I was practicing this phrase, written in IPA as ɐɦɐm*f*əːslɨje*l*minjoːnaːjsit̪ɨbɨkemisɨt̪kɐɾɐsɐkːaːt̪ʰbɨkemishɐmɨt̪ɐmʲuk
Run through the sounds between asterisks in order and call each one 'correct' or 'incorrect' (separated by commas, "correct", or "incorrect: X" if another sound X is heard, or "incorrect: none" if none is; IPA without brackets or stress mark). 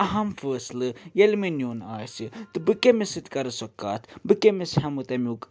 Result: correct, correct